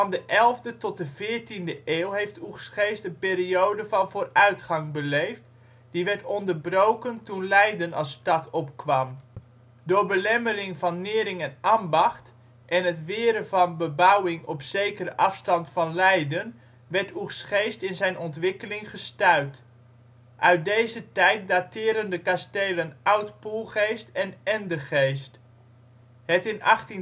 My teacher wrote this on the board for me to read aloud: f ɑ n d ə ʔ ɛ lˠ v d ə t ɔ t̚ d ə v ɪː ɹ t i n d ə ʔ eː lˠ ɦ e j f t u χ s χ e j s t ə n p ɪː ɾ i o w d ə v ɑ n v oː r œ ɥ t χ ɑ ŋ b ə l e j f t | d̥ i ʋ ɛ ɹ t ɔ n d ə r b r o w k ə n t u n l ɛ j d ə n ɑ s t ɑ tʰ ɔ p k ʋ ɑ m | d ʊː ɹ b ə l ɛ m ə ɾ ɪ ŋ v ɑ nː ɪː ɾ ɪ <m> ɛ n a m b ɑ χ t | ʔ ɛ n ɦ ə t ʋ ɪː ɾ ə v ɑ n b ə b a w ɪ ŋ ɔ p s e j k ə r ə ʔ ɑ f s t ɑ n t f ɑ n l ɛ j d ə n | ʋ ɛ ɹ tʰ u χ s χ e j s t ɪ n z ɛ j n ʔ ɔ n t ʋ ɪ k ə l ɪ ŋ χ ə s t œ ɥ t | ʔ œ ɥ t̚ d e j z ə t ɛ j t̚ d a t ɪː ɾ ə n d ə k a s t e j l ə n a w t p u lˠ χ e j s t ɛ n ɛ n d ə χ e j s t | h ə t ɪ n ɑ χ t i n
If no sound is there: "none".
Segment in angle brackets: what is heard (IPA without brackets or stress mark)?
ŋ